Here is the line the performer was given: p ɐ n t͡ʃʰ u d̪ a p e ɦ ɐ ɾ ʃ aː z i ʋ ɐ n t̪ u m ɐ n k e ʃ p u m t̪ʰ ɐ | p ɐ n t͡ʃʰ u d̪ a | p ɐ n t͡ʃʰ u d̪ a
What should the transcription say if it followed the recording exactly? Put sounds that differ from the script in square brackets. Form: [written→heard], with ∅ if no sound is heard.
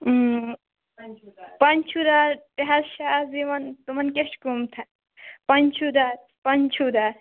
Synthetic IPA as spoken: p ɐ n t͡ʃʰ u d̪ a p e ɦ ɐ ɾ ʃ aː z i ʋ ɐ n t̪ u m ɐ n k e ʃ [p→k] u m t̪ʰ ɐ | p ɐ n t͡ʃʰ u d̪ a | p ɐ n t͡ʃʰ u d̪ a

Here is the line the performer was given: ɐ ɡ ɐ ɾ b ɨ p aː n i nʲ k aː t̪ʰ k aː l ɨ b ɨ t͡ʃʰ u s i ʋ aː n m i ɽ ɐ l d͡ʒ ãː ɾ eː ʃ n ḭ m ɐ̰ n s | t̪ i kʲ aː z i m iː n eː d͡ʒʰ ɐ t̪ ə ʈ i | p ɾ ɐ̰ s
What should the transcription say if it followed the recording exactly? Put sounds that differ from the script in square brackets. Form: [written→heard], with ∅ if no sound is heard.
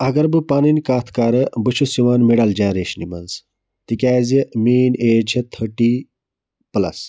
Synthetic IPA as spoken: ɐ ɡ ɐ ɾ b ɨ p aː n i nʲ k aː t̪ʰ k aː [l→ɾ] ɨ b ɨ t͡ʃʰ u s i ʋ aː n m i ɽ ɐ l d͡ʒ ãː ɾ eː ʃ n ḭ m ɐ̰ n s | t̪ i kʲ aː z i m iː n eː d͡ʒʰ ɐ [t̪→t̪ʰ] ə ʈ i | p [ɾ→l] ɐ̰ s

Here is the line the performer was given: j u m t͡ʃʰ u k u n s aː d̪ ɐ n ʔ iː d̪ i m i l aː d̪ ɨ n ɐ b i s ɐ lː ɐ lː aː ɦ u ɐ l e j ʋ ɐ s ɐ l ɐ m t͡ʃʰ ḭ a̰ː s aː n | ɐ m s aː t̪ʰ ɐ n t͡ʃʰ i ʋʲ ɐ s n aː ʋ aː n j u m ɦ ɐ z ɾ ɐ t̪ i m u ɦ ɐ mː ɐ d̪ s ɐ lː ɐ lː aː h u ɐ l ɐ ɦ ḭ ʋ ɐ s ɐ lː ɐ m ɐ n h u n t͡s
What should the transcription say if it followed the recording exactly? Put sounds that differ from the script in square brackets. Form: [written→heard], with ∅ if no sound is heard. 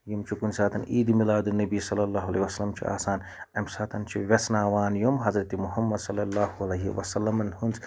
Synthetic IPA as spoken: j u m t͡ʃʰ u k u n s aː [d̪→t̪] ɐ n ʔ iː d̪ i m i l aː d̪ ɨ n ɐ b i s ɐ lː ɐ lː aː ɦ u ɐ l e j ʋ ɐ s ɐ l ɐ m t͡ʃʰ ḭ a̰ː s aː n | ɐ m s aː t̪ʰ ɐ n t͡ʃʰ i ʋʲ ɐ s n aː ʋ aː n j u m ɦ ɐ z ɾ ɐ t̪ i m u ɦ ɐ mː ɐ d̪ s ɐ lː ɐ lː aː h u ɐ l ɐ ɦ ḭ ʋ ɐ s ɐ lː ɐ m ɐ n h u n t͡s

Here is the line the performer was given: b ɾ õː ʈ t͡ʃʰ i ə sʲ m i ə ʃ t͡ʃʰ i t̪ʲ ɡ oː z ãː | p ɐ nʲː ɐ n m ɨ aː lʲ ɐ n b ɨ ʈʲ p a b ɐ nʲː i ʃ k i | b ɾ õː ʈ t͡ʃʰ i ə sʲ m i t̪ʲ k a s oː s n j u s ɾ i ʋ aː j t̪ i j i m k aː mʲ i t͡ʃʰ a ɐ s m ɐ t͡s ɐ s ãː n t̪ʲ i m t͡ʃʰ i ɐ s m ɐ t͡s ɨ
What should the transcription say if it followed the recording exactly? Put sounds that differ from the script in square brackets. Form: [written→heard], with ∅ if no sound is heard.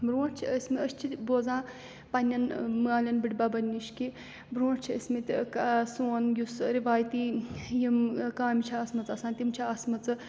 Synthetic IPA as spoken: b ɾ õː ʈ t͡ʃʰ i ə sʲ m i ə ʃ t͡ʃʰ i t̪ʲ [ɡ→b] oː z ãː | p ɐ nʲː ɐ n m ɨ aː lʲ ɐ n b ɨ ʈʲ [p→b] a b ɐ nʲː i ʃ k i | b ɾ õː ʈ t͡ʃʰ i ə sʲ m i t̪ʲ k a s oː [s→∅] n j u s ɾ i ʋ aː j t̪ i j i m k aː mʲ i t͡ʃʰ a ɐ s m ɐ t͡s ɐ s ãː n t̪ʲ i m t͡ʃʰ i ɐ s m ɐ t͡s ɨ

